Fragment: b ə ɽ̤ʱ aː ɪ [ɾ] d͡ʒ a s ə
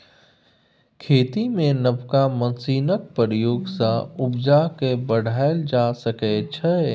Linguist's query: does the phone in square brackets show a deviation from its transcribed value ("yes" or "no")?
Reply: yes